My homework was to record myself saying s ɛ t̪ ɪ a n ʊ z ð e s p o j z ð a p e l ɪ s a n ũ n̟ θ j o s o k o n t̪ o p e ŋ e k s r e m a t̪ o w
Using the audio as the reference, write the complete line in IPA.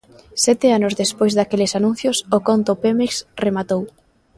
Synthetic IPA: s ɛ t̪ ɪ a n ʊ z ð e s p o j z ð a k e l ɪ s a n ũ n̟ θ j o s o k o n t̪ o p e m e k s r e m a t̪ o w